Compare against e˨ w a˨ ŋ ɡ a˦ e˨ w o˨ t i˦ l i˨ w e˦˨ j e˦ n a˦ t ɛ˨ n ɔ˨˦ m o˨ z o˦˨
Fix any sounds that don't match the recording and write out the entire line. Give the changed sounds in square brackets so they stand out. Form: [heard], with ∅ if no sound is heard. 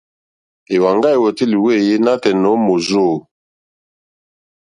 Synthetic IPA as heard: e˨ w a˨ ŋ ɡ a˦ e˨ w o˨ t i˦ l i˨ w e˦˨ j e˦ n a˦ t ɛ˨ n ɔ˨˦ m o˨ z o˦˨